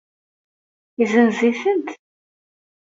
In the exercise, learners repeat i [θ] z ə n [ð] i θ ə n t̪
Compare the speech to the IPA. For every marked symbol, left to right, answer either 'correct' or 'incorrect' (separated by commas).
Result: incorrect, incorrect